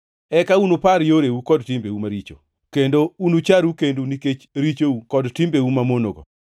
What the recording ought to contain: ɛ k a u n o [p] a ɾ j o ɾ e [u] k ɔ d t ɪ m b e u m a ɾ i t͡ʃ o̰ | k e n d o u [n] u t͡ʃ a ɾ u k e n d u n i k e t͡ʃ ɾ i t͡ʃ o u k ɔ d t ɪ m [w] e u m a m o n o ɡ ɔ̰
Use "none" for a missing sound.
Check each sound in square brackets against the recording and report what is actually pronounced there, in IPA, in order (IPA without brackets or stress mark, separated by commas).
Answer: p, u, n, b